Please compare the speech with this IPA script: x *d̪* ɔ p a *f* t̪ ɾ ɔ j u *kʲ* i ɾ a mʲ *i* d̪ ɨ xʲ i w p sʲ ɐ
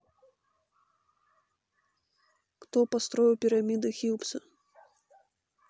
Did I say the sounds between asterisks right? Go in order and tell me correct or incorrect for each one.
incorrect: t̪, incorrect: s, incorrect: pʲ, correct

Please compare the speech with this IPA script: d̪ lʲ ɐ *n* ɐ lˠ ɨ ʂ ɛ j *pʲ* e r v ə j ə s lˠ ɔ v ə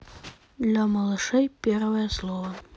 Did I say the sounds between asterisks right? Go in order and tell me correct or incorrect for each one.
incorrect: m, correct

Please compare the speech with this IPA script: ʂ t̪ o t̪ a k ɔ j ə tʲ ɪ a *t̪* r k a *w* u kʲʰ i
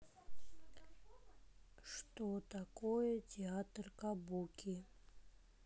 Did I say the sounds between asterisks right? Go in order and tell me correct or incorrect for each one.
correct, incorrect: b

